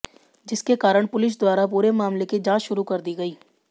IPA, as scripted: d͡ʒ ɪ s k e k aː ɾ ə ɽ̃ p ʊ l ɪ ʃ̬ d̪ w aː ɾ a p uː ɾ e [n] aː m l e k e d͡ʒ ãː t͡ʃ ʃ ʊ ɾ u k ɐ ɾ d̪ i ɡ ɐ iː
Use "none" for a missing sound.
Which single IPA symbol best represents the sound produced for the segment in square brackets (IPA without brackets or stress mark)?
m